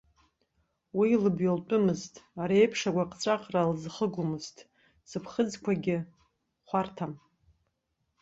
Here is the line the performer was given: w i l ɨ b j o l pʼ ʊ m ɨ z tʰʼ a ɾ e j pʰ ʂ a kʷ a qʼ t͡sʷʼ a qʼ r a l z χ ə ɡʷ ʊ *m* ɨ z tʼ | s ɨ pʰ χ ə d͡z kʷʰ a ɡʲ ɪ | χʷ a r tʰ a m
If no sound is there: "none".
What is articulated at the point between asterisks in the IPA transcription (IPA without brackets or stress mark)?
m